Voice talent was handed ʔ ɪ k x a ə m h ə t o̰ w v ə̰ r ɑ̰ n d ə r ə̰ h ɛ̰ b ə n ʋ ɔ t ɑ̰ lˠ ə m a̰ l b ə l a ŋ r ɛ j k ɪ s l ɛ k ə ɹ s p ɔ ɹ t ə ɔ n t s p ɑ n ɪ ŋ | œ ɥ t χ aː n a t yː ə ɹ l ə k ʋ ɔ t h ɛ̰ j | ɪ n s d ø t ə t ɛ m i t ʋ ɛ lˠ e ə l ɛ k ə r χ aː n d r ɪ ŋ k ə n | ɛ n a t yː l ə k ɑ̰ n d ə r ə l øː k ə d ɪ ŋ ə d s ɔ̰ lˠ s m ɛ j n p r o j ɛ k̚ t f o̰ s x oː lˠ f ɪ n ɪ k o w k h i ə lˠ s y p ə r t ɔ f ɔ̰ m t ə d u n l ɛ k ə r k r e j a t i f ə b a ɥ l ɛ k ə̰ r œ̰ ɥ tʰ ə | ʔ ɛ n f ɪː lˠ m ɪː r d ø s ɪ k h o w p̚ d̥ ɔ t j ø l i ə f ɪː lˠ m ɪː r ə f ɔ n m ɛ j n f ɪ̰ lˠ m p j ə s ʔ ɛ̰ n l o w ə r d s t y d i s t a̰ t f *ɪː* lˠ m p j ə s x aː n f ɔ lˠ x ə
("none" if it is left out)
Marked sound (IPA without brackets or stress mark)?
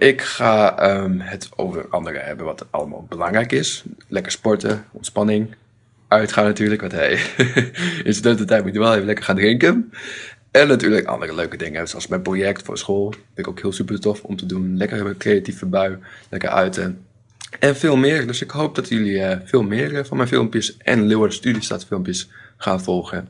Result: ɪ